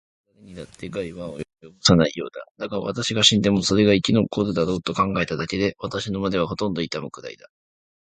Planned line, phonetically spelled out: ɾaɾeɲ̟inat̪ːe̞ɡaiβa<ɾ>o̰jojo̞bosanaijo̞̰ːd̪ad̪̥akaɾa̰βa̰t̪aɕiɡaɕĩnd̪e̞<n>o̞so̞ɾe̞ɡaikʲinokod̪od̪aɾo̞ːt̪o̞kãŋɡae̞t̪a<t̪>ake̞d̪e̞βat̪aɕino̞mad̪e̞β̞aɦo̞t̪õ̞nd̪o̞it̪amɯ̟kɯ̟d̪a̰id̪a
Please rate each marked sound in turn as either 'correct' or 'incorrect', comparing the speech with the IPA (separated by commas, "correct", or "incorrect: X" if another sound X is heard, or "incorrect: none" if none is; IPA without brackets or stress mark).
incorrect: none, incorrect: m, incorrect: d̪